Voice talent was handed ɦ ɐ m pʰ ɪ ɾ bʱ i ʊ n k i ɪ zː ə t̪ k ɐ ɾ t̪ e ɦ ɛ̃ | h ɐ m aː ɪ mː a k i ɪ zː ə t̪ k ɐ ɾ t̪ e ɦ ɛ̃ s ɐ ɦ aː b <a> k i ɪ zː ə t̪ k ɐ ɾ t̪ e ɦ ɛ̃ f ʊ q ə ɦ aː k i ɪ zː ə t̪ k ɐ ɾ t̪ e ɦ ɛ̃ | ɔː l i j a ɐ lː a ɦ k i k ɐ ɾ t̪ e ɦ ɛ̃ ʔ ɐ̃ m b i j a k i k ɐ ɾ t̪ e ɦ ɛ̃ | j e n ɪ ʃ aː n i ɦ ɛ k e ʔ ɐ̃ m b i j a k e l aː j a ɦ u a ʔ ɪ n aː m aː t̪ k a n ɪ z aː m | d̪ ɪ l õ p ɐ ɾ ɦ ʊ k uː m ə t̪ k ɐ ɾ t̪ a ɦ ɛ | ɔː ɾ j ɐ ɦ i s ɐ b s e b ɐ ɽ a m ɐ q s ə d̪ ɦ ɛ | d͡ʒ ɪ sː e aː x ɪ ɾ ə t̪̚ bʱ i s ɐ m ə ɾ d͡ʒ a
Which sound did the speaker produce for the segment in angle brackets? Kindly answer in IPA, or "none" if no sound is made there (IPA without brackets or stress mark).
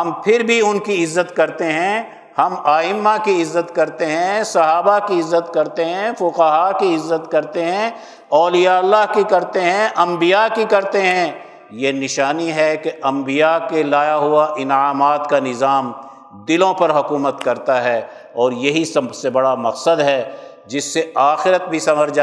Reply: a